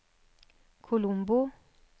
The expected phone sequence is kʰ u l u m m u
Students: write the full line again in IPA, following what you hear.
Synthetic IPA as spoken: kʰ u l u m b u